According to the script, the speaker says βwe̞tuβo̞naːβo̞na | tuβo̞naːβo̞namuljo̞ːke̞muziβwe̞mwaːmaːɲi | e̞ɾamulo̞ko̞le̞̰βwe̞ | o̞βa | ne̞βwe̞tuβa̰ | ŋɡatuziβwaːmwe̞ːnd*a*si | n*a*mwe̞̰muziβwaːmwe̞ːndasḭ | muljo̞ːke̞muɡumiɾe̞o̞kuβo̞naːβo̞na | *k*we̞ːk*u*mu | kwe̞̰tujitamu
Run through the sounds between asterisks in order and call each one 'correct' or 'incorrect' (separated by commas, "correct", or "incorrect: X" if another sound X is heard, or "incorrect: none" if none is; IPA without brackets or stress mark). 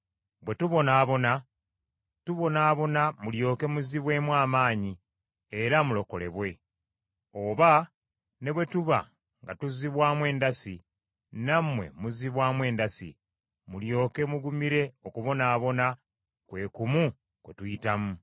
correct, correct, correct, correct